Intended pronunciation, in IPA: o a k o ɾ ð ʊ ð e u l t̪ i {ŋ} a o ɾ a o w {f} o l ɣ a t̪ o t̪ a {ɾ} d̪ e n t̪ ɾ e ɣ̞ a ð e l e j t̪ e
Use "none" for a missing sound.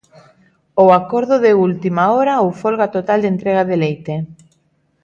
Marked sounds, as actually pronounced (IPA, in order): m, f, l

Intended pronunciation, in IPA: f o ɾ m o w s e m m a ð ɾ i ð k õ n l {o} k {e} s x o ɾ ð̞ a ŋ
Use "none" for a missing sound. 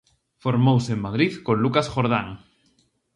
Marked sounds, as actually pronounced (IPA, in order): u, a

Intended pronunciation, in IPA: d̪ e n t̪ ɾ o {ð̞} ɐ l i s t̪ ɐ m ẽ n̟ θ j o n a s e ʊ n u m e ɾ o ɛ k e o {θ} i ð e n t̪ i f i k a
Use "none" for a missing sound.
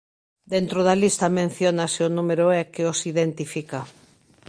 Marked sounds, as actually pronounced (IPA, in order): ð̞, s

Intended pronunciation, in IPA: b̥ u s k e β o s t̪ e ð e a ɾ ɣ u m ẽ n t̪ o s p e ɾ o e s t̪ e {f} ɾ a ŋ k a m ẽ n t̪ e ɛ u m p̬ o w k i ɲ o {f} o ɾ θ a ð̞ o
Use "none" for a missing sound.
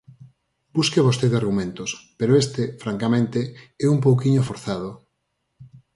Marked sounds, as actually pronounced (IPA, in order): f, f

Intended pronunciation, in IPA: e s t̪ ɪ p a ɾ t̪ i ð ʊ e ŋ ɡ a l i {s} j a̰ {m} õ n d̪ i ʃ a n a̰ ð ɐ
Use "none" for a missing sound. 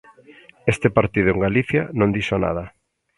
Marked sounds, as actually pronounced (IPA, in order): θ, n

